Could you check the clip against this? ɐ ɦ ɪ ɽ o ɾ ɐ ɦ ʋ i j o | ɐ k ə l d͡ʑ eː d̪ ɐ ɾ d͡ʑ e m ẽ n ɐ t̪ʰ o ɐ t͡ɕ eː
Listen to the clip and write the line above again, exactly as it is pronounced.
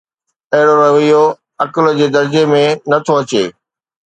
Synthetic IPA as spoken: ɐ ɦ ɪ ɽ o ɾ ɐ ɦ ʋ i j o | ɐ k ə l d͡ʑ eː d̪ ɐ ɾ d͡ʑ e m ẽ n ɐ t̪ʰ o ɐ t͡ɕ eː

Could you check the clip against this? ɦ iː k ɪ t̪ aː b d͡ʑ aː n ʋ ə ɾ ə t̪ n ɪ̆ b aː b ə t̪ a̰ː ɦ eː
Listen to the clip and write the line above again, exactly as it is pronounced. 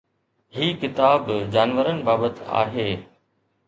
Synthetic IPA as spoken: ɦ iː k ɪ t̪ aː b d͡ʑ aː n ʋ ə ɾ ə n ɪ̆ b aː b ə t̪ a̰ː ɦ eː

